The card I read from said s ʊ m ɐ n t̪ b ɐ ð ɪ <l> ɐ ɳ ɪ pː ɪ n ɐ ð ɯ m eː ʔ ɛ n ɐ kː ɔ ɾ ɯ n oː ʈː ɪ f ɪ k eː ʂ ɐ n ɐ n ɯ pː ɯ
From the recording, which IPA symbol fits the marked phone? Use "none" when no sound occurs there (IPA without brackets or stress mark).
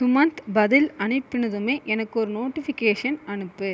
l